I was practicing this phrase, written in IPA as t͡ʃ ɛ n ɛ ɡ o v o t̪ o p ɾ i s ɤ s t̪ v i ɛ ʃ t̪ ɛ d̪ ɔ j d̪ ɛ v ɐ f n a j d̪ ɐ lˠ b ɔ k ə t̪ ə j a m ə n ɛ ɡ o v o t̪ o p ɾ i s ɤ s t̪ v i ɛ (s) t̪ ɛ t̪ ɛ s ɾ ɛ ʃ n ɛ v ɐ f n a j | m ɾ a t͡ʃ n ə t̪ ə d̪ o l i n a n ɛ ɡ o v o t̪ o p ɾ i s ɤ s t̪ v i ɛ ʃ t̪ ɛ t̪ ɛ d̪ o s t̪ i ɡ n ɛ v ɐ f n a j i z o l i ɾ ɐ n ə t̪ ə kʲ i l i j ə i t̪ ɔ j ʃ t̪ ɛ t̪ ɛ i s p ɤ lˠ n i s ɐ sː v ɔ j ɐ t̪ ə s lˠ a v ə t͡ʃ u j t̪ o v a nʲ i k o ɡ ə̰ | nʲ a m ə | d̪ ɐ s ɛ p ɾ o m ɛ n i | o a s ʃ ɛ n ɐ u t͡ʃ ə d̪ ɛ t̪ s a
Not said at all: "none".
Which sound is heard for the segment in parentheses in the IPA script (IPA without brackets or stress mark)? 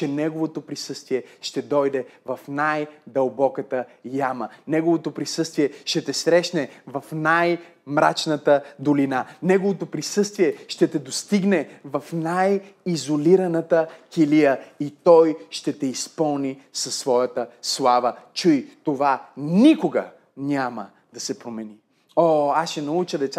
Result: ʃ